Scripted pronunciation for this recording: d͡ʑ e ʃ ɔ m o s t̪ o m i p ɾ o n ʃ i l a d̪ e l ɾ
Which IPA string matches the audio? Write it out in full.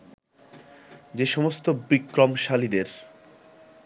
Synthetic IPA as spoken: d͡ʑ e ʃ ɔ m o s t̪ o b i k ɾ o m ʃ a l i d̪ e ɾ